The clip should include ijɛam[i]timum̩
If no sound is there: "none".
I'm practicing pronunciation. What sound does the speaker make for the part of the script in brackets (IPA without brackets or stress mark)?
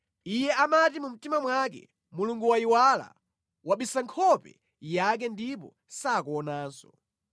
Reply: a